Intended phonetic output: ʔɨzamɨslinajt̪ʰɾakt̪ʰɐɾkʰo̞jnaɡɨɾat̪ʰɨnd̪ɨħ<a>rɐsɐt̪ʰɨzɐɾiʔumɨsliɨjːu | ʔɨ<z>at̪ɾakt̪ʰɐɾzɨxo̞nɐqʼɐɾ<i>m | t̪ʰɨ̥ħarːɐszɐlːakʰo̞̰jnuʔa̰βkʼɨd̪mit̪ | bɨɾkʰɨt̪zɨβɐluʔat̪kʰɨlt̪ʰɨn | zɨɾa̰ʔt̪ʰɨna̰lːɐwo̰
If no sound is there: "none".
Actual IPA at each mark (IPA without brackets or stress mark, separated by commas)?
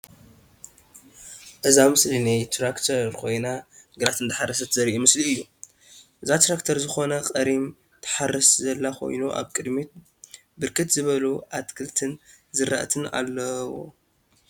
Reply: a, z, i